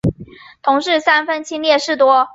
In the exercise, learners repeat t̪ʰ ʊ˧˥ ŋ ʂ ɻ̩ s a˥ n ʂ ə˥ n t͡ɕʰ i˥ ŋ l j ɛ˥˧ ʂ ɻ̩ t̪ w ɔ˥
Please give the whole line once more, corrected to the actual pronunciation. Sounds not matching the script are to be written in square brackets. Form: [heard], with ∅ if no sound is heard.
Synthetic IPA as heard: t̪ʰ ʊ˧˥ ŋ ʂ ɻ̩ s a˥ n [f] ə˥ n t͡ɕʰ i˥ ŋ l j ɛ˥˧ ʂ ɻ̩ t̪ w ɔ˥